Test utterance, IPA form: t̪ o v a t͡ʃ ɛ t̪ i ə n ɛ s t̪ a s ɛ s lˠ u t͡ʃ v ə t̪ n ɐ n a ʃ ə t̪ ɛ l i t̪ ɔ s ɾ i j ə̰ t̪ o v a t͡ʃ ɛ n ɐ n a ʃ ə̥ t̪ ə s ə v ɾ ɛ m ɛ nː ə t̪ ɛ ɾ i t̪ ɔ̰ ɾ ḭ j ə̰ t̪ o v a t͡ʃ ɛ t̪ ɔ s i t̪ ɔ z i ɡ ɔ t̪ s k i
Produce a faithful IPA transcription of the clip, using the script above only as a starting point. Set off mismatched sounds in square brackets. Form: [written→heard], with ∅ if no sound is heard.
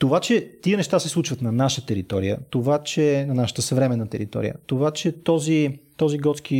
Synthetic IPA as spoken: t̪ o v a t͡ʃ ɛ t̪ i ə n ɛ [s→ʃ] t̪ a s ɛ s lˠ u t͡ʃ v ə t̪ n ɐ n a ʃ ə t̪ ɛ [l→ɾ] i t̪ ɔ [s→∅] ɾ i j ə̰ t̪ o v a t͡ʃ ɛ n ɐ n a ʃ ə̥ t̪ ə s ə v ɾ ɛ m ɛ nː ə t̪ ɛ ɾ i t̪ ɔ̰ ɾ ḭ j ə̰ t̪ o v a t͡ʃ ɛ t̪ ɔ [s→z] i t̪ ɔ z i ɡ ɔ t̪ s k i